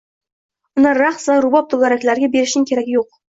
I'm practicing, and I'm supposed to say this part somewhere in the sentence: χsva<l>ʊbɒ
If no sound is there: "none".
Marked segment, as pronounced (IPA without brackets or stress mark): ɾ